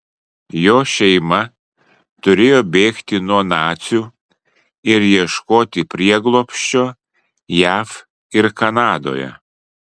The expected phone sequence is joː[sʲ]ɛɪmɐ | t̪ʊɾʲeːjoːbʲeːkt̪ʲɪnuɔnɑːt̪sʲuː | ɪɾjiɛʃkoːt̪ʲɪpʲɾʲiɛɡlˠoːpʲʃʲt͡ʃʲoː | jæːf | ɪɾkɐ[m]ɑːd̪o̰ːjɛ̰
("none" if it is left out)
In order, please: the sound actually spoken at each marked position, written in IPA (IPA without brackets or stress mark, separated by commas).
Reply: ʃʲ, n